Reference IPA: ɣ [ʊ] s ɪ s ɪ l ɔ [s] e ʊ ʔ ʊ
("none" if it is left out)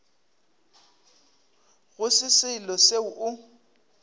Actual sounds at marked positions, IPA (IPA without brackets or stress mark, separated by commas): ʊ, s